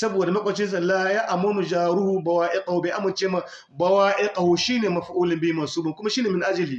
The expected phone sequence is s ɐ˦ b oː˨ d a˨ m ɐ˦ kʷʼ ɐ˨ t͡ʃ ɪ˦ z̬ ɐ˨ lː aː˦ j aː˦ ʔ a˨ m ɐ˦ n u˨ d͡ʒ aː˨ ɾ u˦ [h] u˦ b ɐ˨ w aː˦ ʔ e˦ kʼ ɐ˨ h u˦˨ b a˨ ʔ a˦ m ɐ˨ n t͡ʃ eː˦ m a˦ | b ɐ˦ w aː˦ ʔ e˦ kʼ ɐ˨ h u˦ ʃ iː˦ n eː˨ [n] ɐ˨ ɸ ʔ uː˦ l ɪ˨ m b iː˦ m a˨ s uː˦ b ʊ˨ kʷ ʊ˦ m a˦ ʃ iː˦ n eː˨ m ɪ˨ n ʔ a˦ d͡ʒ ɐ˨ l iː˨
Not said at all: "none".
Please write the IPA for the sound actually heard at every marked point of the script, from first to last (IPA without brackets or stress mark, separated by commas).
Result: h, m